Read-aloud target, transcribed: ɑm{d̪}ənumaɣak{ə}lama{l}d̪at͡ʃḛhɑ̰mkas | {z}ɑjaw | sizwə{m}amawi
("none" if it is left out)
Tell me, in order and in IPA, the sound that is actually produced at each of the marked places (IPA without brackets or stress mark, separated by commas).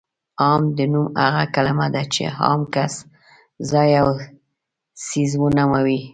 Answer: d̪, a, none, z, n